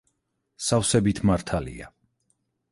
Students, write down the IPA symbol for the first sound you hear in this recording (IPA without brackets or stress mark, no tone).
s